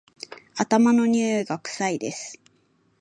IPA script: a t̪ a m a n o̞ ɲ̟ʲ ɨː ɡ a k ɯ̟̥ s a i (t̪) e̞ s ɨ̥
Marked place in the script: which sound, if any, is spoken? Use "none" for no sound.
d̪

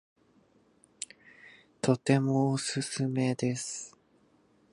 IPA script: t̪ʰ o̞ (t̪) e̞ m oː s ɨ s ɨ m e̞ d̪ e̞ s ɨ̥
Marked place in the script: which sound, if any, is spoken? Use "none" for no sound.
t̪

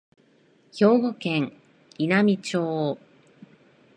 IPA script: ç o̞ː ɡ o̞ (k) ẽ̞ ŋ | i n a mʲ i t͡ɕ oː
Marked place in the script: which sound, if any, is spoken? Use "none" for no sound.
k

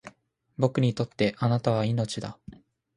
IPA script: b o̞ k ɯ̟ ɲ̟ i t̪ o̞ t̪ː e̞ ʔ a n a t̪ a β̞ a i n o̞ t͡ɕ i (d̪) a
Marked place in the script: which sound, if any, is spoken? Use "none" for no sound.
d̪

